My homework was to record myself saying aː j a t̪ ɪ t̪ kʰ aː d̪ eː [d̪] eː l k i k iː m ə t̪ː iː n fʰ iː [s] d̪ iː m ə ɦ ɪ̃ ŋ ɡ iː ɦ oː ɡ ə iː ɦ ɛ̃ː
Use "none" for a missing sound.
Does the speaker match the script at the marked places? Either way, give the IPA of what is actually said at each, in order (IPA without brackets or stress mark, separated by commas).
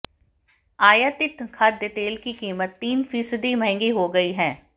t̪, s